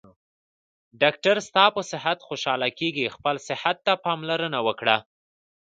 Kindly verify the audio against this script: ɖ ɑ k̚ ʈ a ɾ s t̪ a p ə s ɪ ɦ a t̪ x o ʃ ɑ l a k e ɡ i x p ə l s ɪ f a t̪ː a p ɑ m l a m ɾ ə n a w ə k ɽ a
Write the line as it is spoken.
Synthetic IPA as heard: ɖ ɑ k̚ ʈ a ɾ s t̪ ɑ p ə s ɪ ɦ a t̪ x o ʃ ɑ l a k e ɡ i x p ə l s ɪ h a t̪ː a p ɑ m l a ɾ ə n a w ə k ɽ a